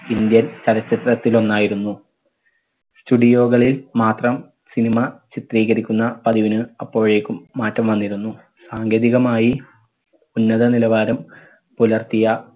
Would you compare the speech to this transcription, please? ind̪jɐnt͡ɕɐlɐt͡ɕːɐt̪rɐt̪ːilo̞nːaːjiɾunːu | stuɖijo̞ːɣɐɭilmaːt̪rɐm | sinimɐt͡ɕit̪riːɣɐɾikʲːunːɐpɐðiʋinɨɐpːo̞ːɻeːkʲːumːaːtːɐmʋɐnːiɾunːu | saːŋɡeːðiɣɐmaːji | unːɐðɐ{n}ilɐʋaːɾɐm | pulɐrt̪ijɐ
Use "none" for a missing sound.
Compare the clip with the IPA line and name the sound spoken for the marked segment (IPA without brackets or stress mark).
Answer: n